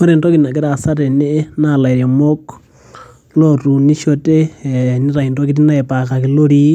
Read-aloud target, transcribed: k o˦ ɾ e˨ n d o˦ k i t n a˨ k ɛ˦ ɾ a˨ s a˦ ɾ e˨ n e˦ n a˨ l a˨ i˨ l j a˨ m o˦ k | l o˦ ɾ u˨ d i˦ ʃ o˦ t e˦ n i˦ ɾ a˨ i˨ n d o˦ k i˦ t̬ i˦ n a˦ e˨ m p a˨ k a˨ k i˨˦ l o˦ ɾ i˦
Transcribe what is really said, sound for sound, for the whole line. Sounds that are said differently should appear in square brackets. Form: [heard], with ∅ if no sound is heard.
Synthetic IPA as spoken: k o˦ ɾ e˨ n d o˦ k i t n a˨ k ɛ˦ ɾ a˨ s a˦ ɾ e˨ n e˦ n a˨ l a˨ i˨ [ɾ] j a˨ m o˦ k | l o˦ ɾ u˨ [n] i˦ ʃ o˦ t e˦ n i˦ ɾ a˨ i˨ n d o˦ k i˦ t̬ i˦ n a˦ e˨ [∅] p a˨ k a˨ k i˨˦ l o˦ ɾ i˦